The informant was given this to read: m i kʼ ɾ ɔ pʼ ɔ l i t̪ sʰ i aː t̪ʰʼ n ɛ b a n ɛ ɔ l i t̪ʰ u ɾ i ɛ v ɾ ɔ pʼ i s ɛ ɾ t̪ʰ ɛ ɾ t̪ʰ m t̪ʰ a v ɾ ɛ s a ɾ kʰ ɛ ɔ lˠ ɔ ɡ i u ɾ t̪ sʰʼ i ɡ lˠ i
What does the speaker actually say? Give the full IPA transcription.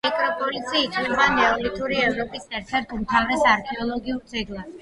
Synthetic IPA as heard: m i kʼ ɾ ɔ pʼ ɔ l i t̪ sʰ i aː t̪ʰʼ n ɛ b a n ɛ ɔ l i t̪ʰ u ɾ i ɛ v ɾ ɔ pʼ i s ɛ ɾ t̪ʰ ɛ ɾ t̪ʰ m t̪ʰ a v ɾ ɛ s a ɾ kʰ ɛ ɔ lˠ ɔ ɡ i u ɾ t̪ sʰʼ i ɡ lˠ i